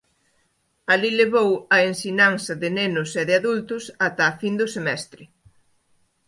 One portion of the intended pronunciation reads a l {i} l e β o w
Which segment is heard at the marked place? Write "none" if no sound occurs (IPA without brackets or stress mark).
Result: i